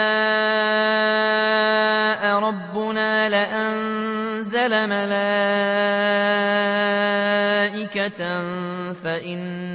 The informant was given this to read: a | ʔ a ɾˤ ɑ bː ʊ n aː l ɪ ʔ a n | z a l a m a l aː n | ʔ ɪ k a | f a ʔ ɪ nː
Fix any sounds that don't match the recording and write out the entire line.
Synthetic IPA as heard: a | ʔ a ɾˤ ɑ bː ʊ n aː l ɪ ʔ a n | z a l a m a l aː | ʔ ɪ k a | f a ʔ ɪ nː

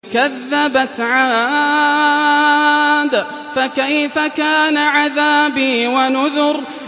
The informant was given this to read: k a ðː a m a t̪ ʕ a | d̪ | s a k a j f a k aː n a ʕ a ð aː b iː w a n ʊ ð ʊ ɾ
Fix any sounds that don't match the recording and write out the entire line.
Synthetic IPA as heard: k a ðː a b a t̪ ʕ a | d̪ | f a k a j f a k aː n a ʕ a ð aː b iː w a n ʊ ð ʊ ɾ

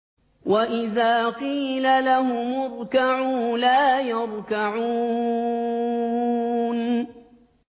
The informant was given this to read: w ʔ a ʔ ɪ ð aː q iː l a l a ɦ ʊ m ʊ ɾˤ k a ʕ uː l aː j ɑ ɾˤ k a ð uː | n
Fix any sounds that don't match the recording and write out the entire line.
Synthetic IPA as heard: w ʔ a ʔ ɪ ð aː q iː l a l a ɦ ʊ m ʊ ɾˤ k a ʕ uː l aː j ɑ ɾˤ k a ʕ uː | n

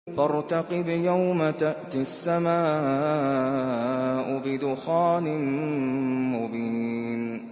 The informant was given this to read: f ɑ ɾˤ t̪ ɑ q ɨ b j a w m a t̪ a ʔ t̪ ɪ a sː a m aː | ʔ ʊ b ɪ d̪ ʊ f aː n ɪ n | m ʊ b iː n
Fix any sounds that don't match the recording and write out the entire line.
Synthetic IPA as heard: f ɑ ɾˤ t̪ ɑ q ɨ b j a w m a t̪ a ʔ t̪ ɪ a sː a m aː | ʔ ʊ b ɪ d̪ ʊ x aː n ɪ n | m ʊ b iː n

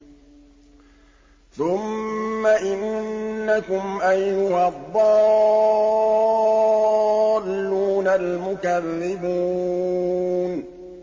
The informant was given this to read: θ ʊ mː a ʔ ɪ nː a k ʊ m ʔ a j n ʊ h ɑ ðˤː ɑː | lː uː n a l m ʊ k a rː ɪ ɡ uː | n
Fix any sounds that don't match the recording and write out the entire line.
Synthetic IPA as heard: θ ʊ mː a ʔ ɪ nː a k ʊ m ʔ a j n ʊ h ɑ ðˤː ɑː | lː uː n a l m ʊ k a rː ɪ b uː | n

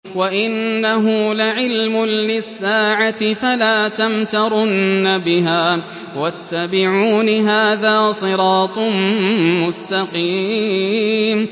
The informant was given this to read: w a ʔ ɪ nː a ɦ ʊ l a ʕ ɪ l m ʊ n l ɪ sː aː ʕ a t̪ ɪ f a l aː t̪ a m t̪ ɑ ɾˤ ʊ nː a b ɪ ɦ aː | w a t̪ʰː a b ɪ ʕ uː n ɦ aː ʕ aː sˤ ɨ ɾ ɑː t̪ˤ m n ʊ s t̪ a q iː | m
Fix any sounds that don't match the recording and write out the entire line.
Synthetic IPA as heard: w a ʔ ɪ nː a ɦ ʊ l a ʕ ɪ l m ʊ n l ɪ sː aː ʕ a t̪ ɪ f a l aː t̪ a m t̪ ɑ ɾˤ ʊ nː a b ɪ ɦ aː | w a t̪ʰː a b ɪ ʕ uː n ɦ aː ð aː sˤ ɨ ɾ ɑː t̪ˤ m m ʊ s t̪ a q iː | m

